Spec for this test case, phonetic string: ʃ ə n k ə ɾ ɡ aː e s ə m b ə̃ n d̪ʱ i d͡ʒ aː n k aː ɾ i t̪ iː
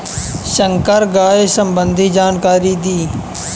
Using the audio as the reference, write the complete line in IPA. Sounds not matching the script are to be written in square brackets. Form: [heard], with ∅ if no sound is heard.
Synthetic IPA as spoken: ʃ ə [ŋ] k ə ɾ ɡ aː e s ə m b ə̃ n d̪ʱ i d͡ʒ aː n k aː ɾ i [d̪] iː